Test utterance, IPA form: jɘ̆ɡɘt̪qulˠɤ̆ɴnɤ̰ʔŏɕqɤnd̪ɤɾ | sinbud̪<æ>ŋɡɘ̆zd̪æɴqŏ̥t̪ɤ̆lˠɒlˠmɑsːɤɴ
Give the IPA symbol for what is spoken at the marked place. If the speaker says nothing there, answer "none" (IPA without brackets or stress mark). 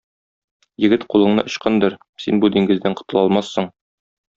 i